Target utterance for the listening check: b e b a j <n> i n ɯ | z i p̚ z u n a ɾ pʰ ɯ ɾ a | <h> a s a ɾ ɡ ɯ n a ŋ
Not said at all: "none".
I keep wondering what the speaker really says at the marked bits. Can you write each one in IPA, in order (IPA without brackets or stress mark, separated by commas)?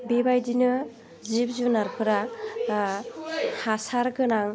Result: d, h